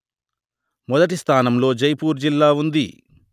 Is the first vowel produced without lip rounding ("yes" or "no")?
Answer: no